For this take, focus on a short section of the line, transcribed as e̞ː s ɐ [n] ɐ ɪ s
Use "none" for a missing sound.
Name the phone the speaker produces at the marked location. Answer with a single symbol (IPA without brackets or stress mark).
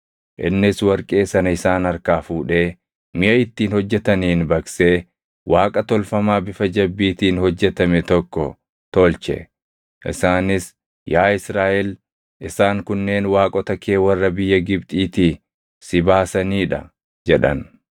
n